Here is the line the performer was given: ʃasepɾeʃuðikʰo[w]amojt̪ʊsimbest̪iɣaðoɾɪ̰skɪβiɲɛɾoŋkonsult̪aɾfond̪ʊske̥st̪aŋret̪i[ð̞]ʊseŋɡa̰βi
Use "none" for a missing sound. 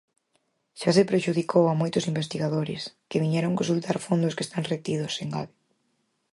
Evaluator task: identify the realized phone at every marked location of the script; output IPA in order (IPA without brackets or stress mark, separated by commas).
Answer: w, ð̞